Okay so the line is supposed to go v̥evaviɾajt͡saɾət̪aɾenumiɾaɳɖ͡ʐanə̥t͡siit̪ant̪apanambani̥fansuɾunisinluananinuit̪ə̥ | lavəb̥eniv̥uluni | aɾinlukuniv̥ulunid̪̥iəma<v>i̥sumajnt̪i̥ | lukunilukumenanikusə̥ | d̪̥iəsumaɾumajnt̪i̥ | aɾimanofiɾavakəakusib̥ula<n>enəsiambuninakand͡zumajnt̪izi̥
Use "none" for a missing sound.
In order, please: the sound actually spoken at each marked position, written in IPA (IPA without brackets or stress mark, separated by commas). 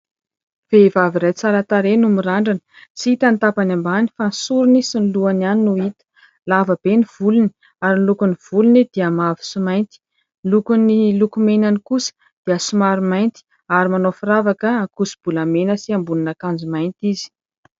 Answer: v, m